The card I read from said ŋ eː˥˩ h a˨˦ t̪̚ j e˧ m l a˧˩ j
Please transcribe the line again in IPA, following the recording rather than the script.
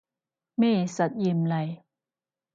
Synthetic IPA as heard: m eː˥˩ s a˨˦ t̪̚ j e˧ m l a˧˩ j